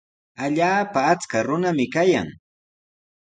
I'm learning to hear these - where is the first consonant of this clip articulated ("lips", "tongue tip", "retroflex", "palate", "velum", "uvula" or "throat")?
palate